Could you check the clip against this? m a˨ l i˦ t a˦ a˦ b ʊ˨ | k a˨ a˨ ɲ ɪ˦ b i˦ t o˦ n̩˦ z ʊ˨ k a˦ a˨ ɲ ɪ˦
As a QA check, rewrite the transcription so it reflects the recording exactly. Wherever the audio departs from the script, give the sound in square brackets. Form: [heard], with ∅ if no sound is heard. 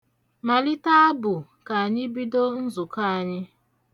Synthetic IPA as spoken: m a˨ l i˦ t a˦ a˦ b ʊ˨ | k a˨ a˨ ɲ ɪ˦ b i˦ [d] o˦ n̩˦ z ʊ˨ k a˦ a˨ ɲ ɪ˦